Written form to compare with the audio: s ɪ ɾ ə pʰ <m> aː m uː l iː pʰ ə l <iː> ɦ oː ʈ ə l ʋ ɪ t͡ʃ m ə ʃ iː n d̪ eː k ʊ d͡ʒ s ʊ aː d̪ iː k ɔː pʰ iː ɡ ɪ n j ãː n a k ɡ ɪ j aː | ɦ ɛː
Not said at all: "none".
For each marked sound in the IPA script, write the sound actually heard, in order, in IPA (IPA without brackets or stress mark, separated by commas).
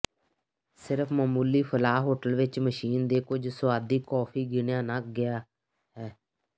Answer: m, aː